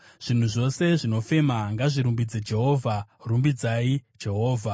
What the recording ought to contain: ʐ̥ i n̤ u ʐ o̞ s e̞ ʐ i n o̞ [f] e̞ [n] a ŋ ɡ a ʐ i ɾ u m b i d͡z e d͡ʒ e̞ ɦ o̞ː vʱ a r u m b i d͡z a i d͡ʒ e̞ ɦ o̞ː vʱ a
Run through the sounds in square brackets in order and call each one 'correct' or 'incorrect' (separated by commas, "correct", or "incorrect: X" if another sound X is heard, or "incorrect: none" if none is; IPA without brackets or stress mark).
correct, incorrect: m